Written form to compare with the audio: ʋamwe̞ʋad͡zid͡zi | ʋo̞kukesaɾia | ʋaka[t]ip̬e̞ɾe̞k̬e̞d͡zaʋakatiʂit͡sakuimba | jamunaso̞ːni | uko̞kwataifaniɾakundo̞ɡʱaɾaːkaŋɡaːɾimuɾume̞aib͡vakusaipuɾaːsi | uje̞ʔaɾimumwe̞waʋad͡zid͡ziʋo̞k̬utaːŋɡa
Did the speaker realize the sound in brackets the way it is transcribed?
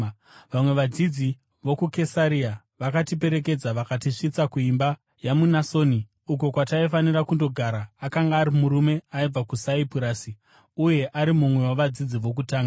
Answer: yes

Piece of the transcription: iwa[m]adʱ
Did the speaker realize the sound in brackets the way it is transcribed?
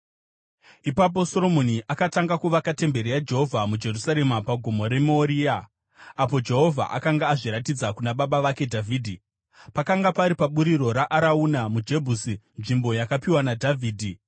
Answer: no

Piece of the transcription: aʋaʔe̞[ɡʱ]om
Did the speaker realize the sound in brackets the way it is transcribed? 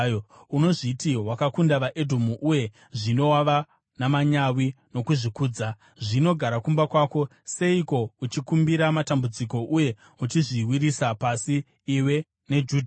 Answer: no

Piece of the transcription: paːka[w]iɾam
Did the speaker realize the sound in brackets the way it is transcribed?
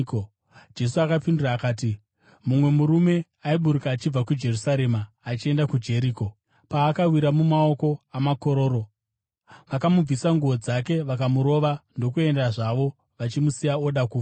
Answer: yes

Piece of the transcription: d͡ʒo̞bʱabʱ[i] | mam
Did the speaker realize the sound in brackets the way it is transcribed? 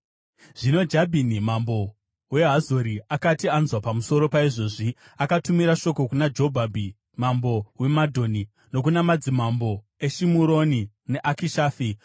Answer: yes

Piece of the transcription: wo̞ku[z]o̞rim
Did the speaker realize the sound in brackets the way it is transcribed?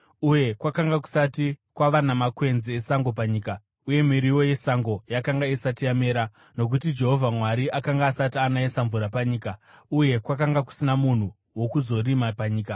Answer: yes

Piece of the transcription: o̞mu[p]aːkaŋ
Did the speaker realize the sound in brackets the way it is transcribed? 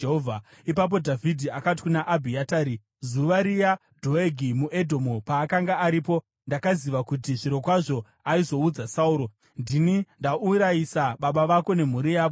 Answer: yes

